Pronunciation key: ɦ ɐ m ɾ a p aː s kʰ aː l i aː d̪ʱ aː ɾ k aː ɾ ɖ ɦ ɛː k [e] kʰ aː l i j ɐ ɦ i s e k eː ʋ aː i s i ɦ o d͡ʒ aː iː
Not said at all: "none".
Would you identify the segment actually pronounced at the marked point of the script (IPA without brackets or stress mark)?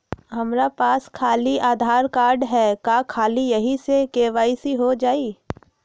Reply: a